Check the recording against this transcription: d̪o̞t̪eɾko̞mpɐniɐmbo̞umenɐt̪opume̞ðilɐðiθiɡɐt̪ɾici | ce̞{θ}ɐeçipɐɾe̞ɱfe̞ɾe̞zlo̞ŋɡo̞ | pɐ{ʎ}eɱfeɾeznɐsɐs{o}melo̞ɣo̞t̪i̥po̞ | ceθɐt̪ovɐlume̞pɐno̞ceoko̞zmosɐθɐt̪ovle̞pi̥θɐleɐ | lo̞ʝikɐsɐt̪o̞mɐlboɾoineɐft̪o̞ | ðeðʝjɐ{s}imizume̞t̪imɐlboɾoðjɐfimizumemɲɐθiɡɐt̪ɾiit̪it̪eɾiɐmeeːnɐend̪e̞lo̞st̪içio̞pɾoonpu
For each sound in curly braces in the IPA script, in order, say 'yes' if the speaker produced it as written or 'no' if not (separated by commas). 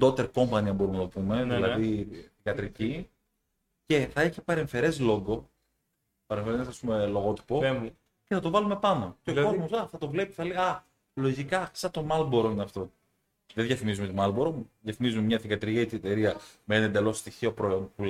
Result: yes, no, no, no